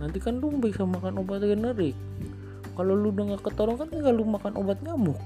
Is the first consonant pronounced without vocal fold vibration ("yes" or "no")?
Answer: no